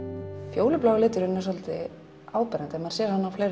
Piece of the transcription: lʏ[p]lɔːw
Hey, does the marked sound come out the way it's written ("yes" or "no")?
yes